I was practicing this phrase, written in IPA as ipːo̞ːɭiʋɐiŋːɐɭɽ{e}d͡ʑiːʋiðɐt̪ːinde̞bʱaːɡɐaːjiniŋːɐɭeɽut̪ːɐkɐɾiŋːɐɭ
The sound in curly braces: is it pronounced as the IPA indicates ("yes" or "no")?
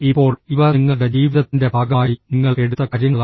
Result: yes